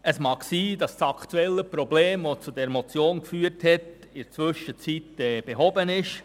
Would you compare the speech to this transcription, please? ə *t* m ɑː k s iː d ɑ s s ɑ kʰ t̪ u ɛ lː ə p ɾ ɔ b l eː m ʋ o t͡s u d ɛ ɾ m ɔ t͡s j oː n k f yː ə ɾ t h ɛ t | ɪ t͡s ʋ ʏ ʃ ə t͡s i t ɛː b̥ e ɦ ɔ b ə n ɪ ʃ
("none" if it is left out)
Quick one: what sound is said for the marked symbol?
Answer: s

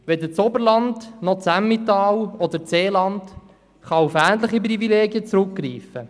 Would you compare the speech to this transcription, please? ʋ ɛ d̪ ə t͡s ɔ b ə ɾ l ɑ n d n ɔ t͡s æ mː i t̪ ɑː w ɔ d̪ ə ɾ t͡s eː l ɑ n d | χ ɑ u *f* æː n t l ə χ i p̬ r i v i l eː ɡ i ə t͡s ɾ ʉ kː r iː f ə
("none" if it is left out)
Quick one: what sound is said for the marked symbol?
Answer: f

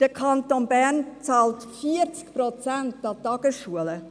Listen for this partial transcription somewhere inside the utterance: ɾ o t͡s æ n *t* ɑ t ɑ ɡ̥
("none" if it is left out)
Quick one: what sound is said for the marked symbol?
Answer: t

